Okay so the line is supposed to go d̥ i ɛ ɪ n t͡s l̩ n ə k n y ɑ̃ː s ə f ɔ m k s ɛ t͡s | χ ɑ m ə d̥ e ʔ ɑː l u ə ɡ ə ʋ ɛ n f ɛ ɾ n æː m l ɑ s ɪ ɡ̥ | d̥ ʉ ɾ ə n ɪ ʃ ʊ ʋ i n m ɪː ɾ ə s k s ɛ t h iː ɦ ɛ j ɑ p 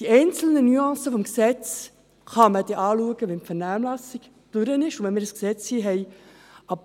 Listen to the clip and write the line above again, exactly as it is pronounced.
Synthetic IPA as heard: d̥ i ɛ ɪ n t͡s l̩ n ə n y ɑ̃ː s ə f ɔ m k s ɛ t͡s | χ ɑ m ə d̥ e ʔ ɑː l u ə ɡ ə ʋ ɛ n f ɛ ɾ n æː m l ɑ s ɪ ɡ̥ | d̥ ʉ ɾ ə n ɪ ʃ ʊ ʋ ɛ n m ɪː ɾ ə s k s ɛ t͡s h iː ɦ ɛ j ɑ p